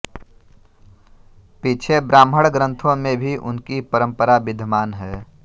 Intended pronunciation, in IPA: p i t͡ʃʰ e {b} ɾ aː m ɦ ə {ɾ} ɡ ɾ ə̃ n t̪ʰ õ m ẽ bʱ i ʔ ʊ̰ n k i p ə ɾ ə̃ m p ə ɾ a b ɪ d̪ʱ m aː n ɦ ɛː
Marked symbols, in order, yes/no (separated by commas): yes, no